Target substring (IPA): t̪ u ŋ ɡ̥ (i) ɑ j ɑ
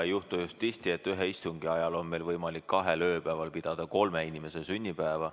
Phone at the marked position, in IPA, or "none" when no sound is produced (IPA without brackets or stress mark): i